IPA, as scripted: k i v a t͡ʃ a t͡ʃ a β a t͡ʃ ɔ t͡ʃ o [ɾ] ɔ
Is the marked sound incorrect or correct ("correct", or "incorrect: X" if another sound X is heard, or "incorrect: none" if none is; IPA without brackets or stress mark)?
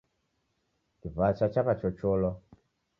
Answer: incorrect: l